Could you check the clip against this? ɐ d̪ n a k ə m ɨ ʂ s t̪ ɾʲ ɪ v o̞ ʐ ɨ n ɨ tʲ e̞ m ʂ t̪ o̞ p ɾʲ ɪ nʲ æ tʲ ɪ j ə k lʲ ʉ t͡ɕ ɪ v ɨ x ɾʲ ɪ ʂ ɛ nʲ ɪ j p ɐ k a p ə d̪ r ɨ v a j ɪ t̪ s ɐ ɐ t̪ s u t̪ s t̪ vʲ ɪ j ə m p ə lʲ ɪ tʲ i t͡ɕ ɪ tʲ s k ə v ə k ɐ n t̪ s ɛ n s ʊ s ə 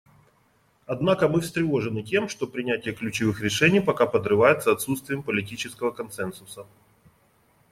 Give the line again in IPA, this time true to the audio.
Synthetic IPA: ɐ d̪ n a k ə m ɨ f s t̪ ɾʲ ɪ v o̞ ʐ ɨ n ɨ tʲ e̞ m ʂ t̪ o̞ p ɾʲ ɪ nʲ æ tʲ ɪ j ə k lʲ ʉ t͡ɕ ɪ v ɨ x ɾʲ ɪ ʂ ɛ nʲ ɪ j p ɐ k a p ə d̪ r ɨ v a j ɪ t̪ s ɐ ɐ t̪ s u t̪ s t̪ vʲ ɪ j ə m p ə lʲ ɪ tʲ i t͡ɕ ɪ s k ə v ə k ɐ n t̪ s ɛ n s ʊ s ə